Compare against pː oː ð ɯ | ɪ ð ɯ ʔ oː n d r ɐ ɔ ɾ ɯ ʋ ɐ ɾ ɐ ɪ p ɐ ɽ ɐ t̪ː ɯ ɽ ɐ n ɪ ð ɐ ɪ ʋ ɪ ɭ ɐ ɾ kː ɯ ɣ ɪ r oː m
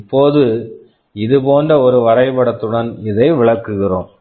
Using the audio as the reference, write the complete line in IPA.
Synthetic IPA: pː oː ð ɯ | ɪ ð ɯ p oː n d r ɐ ɔ ɾ ɯ ʋ ɐ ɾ ɐ ɪ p ɐ ɽ ɐ t̪ː ɯ ɽ ɐ n ɪ ð ɐ ɪ ʋ ɪ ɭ ɐ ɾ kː ɯ ɣ ɪ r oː m